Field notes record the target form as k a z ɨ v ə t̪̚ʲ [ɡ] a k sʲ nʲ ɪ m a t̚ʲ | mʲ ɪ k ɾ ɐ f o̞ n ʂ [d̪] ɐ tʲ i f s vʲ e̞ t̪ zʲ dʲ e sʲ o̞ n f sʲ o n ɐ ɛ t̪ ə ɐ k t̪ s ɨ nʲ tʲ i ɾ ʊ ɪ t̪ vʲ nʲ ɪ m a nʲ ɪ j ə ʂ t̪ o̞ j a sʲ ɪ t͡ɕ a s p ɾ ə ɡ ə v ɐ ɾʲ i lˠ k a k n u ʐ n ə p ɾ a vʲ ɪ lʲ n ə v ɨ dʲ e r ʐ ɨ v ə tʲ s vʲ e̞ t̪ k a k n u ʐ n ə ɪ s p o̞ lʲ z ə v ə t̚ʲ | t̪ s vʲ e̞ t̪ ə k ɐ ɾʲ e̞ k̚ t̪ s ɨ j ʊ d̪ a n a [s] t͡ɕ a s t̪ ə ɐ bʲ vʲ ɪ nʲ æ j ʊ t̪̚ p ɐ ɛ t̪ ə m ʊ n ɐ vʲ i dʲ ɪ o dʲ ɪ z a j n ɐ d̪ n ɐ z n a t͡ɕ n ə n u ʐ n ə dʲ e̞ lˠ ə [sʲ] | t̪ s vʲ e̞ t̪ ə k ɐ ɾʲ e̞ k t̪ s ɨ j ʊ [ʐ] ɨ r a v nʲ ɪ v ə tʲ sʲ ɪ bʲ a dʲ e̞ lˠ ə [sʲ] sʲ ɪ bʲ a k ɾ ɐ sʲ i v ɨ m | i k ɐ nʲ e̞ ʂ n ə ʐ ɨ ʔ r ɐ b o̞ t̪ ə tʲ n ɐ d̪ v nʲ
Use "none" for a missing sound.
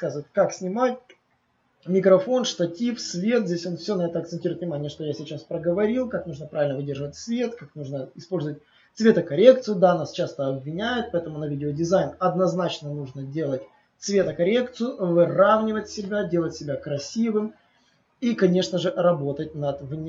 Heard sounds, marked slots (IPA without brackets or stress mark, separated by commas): k, t̪, s, tʲ, v, tʲ